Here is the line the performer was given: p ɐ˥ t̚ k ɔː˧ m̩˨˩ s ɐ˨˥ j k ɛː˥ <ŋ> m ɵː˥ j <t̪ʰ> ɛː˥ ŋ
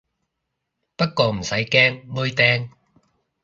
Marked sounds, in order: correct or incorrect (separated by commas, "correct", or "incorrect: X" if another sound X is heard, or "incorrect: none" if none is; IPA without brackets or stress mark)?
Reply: correct, incorrect: t̪